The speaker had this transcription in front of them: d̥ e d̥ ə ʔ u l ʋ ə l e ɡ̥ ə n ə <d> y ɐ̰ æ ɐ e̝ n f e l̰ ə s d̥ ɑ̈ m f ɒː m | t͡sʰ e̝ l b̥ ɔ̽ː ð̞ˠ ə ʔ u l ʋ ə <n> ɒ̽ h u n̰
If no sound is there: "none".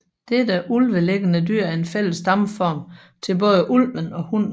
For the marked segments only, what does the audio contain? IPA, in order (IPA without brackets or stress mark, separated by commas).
d, n